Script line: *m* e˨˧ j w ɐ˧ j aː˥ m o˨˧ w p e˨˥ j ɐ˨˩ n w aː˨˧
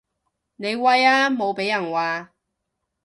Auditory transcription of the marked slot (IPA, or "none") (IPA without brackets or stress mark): n